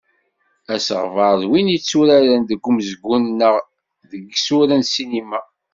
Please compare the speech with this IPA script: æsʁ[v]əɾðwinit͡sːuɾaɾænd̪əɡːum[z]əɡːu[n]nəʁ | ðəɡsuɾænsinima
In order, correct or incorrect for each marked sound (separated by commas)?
correct, correct, correct